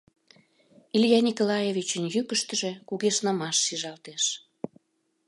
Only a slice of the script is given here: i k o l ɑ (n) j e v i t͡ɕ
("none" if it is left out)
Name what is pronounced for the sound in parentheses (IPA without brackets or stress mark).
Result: none